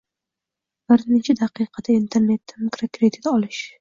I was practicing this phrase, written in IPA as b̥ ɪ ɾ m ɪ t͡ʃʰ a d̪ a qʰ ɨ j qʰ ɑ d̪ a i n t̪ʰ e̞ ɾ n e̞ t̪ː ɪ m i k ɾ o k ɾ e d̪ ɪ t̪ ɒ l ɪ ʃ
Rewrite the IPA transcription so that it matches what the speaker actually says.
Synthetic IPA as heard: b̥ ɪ ɾ n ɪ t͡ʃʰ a d̪ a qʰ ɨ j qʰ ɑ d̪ a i n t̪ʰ e̞ ɾ n e̞ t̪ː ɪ m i k ɾ o k ɾ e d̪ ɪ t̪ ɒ l ɪ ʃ